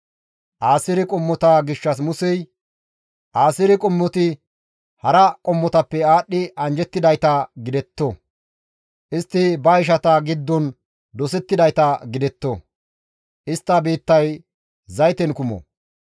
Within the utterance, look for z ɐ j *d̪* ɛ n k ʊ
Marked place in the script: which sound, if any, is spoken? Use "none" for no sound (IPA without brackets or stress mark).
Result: t̪